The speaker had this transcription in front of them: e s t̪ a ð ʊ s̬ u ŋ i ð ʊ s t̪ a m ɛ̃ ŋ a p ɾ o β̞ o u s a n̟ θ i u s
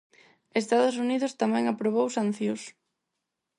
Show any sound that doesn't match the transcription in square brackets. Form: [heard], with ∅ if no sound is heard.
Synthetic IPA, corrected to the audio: e s t̪ a ð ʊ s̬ u [n] i ð ʊ s t̪ a m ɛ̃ ŋ a p ɾ o β̞ o [w] s a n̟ θ [j] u s